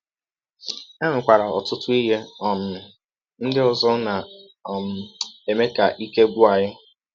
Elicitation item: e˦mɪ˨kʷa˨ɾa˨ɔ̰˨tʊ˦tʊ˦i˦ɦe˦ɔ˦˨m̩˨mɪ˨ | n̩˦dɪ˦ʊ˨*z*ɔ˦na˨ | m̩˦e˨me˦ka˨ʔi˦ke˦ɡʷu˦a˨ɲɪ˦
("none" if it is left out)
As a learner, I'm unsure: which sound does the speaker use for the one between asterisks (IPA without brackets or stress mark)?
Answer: z